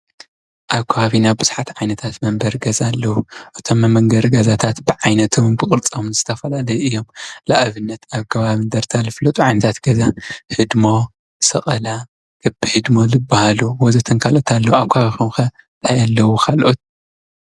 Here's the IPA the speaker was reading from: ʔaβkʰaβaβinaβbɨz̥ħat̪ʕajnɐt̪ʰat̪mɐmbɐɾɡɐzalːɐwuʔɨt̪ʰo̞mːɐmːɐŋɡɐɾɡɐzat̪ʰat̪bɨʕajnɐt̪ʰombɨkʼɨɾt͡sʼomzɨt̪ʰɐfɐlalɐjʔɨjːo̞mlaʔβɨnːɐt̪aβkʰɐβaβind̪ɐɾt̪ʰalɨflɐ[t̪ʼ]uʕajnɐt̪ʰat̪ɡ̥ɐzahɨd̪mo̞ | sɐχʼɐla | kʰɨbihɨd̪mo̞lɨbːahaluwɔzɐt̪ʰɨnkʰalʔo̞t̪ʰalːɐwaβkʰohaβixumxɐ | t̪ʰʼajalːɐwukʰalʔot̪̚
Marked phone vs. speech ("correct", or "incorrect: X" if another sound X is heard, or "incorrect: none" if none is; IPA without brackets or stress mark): correct